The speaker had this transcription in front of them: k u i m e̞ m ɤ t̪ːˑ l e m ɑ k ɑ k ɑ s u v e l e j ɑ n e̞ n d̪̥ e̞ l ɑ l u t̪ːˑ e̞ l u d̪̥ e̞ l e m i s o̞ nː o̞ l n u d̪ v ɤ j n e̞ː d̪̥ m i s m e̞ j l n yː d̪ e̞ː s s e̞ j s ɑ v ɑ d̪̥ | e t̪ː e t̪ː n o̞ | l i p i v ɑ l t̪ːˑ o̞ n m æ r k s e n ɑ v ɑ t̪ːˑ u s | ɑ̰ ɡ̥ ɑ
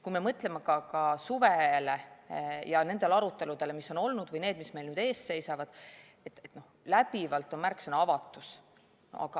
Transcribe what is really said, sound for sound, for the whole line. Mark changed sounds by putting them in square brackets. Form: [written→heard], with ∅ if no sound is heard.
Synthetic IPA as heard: k u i m e̞ m ɤ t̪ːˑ l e m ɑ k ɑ k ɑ s u v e l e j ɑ n e̞ n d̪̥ e̞ l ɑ [l→ɾ] u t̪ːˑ e̞ l u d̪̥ e̞ l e m i s o̞ [nː→n] o̞ l n u d̪ v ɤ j n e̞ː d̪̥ m i s m e̞ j l n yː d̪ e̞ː s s e̞ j s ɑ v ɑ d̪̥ | e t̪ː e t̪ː n o̞ | l [i→æ] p i v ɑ l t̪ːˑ o̞ n m æ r k s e n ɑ v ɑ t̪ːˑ u s | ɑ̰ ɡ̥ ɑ